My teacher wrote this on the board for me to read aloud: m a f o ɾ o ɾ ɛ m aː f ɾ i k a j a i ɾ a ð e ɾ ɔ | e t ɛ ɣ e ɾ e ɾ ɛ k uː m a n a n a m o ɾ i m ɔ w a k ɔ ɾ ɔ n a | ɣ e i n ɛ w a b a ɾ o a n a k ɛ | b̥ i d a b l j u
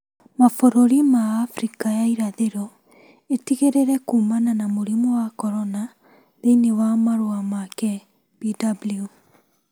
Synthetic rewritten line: m a f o ɾ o ɾ i m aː f ɾ i k a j a i ɾ a ð e ɾ ɔ | e t i ɣ e ɾ e ɾ ɛ k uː m a n a n a m o ɾ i m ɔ w a k ɔ ɾ ɔ n a | ð e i n e w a m a ɾ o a m a k ɛ | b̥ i d a b l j u